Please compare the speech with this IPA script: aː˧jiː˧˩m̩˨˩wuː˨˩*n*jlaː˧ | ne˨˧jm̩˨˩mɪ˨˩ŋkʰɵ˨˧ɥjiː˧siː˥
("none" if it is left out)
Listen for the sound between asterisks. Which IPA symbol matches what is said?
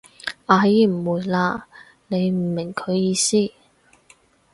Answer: none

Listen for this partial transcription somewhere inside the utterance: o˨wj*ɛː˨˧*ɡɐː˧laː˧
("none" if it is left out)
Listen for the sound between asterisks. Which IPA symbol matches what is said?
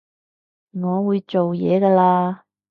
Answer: ɛː˨˧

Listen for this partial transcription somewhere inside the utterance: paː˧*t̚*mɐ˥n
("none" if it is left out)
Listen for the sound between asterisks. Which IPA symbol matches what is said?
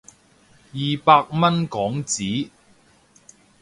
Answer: k̚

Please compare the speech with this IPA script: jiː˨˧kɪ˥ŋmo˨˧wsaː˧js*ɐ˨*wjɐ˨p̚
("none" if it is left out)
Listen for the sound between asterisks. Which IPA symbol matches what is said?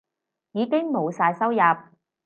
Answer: ɐ˥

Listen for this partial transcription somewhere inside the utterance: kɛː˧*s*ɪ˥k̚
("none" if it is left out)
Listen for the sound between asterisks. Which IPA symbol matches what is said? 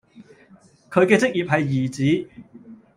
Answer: t͡s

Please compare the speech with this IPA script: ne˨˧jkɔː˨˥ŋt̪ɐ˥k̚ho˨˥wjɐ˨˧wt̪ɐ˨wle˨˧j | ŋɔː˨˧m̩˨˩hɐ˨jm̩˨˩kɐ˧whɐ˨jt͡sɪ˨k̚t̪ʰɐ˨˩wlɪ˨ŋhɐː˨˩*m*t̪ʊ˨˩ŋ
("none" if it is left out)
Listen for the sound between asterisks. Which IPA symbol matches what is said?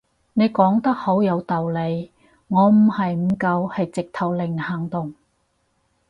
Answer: ŋ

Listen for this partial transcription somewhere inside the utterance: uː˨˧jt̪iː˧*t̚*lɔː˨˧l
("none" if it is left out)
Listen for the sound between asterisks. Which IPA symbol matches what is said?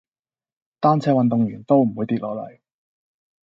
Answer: t̚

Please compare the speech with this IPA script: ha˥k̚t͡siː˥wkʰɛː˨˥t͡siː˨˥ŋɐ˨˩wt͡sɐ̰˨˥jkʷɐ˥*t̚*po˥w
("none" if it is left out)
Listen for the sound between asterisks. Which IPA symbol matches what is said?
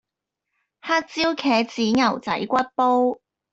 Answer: t̚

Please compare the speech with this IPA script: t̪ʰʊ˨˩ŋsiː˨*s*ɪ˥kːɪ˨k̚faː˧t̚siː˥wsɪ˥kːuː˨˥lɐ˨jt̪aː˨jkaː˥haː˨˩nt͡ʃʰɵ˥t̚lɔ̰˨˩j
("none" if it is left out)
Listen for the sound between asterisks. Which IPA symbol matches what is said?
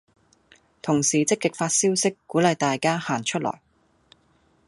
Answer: t͡s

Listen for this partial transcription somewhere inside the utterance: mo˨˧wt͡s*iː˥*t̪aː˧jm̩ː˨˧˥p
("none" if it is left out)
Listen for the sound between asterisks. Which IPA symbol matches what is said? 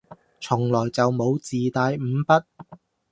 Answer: iː˨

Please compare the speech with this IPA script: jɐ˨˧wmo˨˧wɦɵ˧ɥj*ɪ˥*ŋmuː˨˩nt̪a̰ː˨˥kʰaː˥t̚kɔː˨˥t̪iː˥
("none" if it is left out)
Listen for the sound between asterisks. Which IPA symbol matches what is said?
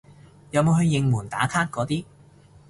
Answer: ɪ˧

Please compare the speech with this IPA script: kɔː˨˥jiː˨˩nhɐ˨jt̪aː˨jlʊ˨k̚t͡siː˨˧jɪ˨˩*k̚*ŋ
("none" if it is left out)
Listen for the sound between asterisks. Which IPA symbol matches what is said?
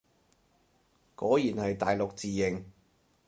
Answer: none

